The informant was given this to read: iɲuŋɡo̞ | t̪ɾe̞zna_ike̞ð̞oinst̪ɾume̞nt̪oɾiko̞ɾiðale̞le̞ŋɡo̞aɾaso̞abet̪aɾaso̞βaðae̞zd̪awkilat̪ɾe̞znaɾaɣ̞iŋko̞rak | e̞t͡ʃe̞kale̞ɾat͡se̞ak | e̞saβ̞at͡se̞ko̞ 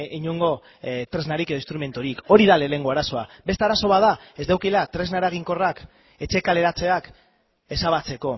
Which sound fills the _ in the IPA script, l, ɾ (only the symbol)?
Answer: ɾ